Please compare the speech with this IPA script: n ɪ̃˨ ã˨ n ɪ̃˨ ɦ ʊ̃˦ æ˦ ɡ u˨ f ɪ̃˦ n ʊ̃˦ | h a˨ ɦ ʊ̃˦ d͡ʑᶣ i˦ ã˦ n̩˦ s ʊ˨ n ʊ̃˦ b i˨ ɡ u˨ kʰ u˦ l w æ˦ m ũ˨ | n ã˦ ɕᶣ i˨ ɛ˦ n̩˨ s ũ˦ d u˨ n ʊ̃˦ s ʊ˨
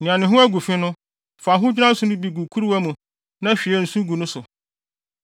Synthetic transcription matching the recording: n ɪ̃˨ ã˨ n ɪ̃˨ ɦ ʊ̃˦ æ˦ ɡ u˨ f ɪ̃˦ n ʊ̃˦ | f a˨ ɦ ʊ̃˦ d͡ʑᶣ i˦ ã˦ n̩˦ s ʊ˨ n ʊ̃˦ b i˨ ɡ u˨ kʰ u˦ ɾ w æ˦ m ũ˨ | n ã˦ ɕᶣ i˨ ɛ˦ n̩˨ s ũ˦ ɡ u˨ n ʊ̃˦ s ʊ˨